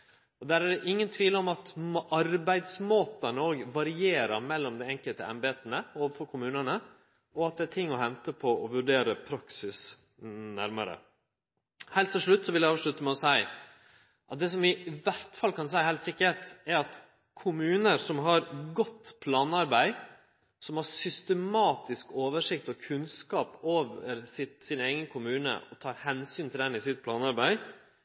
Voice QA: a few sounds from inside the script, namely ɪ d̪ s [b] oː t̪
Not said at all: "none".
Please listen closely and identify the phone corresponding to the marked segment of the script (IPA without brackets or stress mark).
m